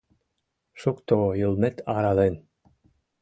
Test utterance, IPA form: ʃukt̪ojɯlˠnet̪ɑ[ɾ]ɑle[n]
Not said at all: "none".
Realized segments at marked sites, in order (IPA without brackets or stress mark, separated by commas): ɾ, n